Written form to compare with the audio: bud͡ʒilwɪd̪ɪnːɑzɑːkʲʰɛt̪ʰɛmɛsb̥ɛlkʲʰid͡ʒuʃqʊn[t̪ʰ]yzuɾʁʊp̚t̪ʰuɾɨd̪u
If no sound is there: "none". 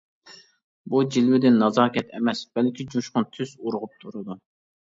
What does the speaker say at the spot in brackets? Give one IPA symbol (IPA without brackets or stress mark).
t̪ʰ